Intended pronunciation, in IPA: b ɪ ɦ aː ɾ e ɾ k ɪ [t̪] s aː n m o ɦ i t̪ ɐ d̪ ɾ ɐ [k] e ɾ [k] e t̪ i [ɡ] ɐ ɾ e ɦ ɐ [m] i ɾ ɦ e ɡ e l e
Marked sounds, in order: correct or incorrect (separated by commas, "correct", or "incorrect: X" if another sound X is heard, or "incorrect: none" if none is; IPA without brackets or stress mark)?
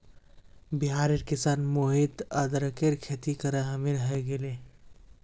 incorrect: none, correct, incorrect: kʰ, incorrect: k, correct